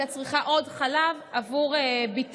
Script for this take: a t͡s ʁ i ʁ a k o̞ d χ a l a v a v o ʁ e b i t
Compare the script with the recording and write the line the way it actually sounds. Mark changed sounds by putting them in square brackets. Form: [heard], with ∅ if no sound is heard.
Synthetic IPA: a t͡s ʁ i [χ] a [ʔ] o̞ d χ a l a v a v [u] ʁ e b i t